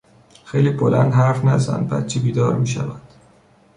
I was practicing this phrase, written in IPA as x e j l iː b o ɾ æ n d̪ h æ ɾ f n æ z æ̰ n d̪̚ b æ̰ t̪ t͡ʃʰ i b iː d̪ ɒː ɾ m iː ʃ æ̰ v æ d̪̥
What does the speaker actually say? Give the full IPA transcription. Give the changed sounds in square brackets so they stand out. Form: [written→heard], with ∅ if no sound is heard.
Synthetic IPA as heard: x e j l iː b o [ɾ→l] æ n d̪ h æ ɾ f n æ z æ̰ n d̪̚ b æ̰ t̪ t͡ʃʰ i b iː d̪ ɒː ɾ m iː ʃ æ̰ v æ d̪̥